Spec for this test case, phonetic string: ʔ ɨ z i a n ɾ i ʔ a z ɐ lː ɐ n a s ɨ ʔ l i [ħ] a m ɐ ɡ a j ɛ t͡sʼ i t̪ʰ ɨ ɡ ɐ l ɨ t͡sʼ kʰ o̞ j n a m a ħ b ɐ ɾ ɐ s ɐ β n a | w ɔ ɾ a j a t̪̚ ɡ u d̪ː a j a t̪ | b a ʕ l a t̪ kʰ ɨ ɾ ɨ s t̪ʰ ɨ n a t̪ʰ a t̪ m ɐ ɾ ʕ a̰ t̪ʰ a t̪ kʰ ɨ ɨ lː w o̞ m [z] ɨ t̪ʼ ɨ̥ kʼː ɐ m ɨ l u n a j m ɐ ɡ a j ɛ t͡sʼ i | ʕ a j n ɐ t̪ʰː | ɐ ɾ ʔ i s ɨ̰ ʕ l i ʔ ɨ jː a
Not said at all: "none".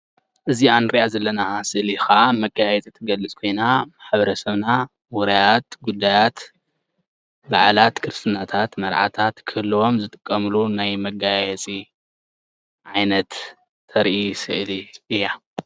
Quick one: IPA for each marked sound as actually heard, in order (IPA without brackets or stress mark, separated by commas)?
x, z